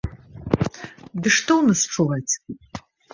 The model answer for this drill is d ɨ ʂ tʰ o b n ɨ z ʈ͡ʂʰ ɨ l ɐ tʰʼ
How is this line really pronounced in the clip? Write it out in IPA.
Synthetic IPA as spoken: d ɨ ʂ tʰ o w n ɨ s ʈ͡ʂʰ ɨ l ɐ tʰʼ

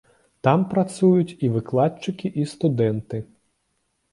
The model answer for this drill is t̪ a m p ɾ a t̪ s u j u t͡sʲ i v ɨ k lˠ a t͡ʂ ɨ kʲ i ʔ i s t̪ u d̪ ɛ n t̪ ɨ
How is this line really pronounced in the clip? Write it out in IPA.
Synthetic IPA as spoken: t̪ a m p ɾ a t̪ s u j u t͡sʲ i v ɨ k lˠ a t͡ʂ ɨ kʲ i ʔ i s t̪ u d̪ ɛ n t̪ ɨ

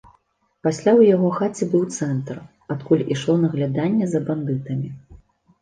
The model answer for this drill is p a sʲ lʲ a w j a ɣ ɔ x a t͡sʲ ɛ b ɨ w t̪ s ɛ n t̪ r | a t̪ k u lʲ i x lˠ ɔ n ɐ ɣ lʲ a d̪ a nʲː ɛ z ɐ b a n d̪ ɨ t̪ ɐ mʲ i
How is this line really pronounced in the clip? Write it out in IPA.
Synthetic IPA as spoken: p a sʲ lʲ a w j a ɣ ɔ x a t͡sʲ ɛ b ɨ w t̪ s ɛ n t̪ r | a t̪ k u lʲ i ʂ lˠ ɔ n ɐ ɣ lʲ a d̪ a nʲː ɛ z ɐ b a n d̪ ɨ t̪ ɐ mʲ i

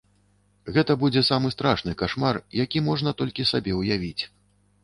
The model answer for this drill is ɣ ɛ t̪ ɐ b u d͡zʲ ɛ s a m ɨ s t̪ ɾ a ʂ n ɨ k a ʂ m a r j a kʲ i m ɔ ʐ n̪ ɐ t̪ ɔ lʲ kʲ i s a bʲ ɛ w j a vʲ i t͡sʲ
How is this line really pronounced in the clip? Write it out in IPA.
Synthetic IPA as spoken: ɣ ɛ t̪ ɐ b u d͡zʲ ɛ s a m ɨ s t̪ ɾ a ʂ n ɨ k a ʂ m a r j a kʲ i m ɔ ʐ n̪ ɐ t̪ ɔ lʲ kʲ i s a bʲ ɛ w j a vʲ i t͡sʲ

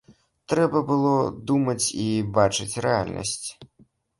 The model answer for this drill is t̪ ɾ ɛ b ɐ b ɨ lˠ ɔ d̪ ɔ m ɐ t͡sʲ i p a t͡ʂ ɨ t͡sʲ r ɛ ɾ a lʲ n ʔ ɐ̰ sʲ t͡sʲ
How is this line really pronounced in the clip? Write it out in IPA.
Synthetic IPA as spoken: t̪ ɾ ɛ b ɐ b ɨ lˠ ɔ d̪ u m ɐ t͡sʲ i b a t͡ʂ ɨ t͡sʲ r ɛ a lʲ n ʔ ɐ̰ sʲ t͡sʲ

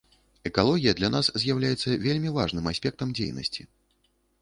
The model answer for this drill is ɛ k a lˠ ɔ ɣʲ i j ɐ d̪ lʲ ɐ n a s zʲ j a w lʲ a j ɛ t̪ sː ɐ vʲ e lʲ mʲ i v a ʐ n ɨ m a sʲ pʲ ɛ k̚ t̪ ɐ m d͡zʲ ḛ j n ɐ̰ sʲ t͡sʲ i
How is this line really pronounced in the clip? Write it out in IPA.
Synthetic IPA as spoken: ɛ k a lˠ ɔ ɣʲ i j ɐ d̪ lʲ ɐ n a s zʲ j a w lʲ a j ɛ t̪ sː ɐ vʲ e lʲ mʲ i v a ʐ n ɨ m a sʲ pʲ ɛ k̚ t̪ ɐ m d͡zʲ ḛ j n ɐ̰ sʲ t͡sʲ i

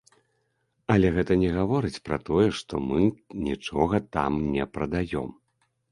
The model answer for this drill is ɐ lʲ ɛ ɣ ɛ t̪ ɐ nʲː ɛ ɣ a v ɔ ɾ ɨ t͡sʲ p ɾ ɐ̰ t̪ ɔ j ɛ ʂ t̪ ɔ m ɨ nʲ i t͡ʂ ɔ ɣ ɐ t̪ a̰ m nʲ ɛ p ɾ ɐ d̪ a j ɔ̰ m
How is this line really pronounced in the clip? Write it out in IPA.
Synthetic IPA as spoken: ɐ lʲ ɛ ɣ ɛ t̪ ɐ nʲ ɛ ɣ a v ɔ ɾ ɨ t͡sʲ p ɾ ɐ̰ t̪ ɔ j ɛ ʂ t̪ ɔ m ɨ nʲ i t͡ʂ ɔ ɣ ɐ t̪ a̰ m nʲ ɛ p ɾ ɐ d̪ a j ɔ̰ m

